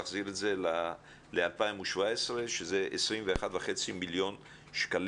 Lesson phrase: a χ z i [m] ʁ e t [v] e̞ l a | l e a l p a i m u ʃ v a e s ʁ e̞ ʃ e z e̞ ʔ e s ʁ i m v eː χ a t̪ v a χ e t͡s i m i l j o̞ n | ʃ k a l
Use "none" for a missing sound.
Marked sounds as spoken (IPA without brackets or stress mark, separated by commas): none, z